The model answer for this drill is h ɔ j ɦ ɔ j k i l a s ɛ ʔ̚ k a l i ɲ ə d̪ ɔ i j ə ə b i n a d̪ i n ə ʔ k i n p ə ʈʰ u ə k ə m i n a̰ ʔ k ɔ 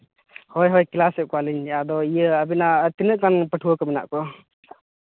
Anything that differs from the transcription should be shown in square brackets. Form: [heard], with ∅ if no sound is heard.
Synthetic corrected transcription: h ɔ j ɦ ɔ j k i l a s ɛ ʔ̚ k a l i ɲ [a] d̪ ɔ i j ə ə b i n a [t̪] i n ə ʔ k [a] n p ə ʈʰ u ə k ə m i n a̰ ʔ k ɔ

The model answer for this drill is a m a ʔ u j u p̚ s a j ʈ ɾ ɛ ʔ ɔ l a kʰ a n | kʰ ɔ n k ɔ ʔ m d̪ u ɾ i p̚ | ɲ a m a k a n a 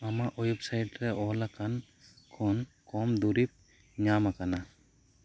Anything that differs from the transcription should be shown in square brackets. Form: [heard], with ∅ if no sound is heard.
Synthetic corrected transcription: a m a ʔ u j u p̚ s a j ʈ ɾ ɛ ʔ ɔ l a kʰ a n | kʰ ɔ n k ɔ [∅] m d̪ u ɾ i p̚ | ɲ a m a k a n a

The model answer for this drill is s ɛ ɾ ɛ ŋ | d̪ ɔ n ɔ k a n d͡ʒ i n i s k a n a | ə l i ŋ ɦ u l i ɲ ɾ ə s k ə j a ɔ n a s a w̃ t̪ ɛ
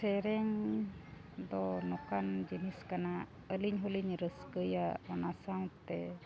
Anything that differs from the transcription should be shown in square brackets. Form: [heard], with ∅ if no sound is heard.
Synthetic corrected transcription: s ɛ ɾ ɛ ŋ | d̪ ɔ n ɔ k a n d͡ʒ i n i s k a n a | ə l i [ɲ] ɦ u l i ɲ ɾ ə s k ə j a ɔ n a s a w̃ t̪ ɛ

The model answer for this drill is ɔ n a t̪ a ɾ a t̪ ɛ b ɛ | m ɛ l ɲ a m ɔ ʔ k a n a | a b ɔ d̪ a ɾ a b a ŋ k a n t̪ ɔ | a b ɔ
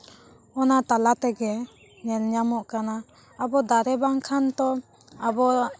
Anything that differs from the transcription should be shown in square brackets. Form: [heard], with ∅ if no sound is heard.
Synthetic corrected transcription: ɔ n a t̪ a [l] a t̪ ɛ [ɡ] ɛ | [ɲ] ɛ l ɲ a m ɔ ʔ k a n a | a b ɔ d̪ a ɾ [ɛ] b a ŋ [kʰ] a n t̪ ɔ | a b ɔ

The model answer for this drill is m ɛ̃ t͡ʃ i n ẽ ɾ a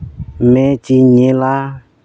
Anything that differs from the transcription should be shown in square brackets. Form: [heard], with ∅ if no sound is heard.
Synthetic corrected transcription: m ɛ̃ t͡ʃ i [ɲ] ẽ [l] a

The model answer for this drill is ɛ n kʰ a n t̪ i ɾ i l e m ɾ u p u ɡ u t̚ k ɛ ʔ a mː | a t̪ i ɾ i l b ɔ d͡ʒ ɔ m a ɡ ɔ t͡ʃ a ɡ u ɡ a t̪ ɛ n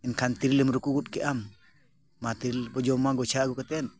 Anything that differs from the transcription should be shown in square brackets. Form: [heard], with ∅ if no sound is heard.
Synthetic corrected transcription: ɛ n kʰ a n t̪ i ɾ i l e m ɾ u [k] u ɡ u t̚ k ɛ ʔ a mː | a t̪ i ɾ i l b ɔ d͡ʒ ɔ m a ɡ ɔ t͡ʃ a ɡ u [k] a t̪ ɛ n

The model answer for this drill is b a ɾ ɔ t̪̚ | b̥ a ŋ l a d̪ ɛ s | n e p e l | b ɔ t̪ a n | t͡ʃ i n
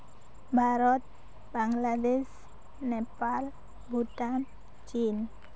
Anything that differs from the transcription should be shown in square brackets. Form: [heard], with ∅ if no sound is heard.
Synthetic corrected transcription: b a ɾ ɔ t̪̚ | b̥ a ŋ l a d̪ ɛ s | n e p [a] l | b [u] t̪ a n | t͡ʃ i n

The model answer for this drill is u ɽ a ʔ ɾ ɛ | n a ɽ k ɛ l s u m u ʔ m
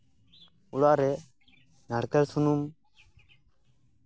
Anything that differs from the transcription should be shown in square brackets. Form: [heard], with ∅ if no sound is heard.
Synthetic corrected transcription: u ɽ a ʔ ɾ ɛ | n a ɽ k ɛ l s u [n] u [∅] m

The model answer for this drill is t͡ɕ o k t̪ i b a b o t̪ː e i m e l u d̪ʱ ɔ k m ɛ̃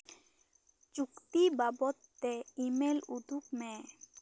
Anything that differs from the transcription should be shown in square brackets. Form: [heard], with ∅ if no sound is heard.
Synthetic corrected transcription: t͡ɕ [u] k t̪ i b a b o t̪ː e i m e l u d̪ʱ [u] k m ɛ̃

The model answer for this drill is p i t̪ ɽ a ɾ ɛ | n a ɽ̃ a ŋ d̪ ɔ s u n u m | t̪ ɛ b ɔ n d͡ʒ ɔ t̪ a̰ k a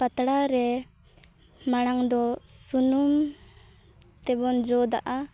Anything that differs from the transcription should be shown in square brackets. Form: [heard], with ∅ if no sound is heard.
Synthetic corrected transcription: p [a] t̪ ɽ a ɾ ɛ | [m] a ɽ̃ a ŋ d̪ ɔ s u n u m | t̪ ɛ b ɔ n d͡ʒ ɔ [d̪] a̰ [ʔ] a

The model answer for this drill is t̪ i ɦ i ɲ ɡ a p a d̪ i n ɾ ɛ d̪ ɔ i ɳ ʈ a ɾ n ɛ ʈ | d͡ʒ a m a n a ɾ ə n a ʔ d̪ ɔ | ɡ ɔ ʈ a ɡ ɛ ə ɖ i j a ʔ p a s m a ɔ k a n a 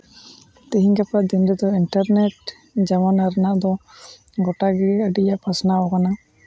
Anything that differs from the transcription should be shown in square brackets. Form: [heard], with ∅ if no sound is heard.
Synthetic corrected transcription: t̪ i ɦ i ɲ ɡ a p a d̪ i n ɾ ɛ d̪ ɔ i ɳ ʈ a ɾ n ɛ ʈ | d͡ʒ a m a n a ɾ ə n a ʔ d̪ ɔ | ɡ ɔ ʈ a ɡ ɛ ə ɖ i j a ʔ p a s [n] a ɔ k a n a

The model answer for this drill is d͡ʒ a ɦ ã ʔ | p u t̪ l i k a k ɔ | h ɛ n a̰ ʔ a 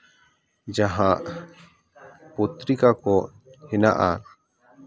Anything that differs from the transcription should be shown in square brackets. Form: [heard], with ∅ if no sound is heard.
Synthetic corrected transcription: d͡ʒ a ɦ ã ʔ | p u t̪ [ɾ] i k a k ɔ | h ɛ n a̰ ʔ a

